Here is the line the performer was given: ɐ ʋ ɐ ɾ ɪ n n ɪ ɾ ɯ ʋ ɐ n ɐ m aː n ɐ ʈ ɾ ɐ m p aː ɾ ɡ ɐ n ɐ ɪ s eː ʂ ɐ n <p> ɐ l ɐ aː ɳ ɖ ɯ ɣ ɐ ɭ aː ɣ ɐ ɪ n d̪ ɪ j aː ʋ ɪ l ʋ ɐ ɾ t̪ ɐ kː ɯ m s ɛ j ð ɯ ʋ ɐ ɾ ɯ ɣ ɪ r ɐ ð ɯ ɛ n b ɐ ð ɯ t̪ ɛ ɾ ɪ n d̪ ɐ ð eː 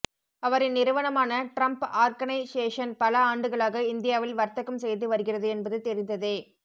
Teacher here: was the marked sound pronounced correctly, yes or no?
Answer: yes